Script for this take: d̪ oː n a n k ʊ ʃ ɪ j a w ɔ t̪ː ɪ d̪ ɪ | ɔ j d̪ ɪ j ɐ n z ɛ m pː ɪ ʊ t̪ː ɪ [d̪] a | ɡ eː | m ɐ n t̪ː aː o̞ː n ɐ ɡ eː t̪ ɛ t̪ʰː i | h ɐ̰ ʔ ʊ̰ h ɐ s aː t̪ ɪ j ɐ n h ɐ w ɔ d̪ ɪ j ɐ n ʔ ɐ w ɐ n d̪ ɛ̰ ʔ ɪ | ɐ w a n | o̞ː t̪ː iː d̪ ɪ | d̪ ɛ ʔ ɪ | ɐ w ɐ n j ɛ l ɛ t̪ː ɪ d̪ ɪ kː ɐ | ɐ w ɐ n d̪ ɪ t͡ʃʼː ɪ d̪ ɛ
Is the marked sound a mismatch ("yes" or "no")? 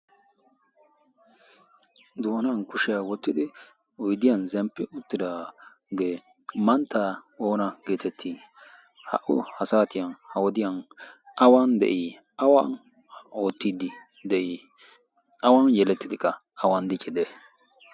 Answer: no